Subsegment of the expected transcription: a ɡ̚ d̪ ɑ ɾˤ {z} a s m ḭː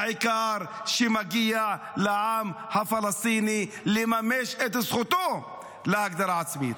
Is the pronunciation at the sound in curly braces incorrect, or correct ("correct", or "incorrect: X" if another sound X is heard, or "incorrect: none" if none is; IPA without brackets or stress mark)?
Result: incorrect: ʕ